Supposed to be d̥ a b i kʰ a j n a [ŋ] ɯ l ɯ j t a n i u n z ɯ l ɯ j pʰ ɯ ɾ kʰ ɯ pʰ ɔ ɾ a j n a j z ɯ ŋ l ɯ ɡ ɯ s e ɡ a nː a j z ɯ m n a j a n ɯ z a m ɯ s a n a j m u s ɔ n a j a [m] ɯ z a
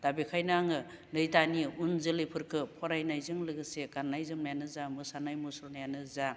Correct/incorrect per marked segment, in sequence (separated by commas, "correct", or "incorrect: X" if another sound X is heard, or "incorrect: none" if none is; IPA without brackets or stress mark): correct, incorrect: n